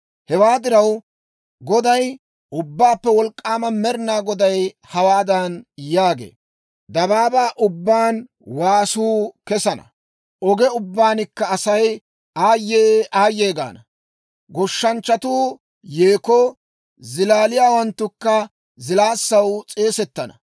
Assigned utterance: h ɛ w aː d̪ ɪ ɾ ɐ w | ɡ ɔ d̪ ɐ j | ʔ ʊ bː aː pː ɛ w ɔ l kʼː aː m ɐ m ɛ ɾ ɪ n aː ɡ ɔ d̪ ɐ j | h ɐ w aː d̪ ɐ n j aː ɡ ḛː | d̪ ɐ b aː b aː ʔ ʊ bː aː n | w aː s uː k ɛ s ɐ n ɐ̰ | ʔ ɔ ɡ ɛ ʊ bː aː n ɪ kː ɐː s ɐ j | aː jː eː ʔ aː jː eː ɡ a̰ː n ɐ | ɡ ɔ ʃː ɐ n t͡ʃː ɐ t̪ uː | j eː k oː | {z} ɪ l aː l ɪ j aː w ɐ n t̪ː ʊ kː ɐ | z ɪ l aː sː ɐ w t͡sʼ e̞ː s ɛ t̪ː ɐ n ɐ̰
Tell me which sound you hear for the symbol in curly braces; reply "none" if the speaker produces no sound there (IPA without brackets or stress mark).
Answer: z